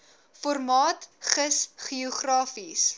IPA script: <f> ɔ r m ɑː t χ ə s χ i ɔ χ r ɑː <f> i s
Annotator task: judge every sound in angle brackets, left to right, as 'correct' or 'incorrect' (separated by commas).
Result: correct, correct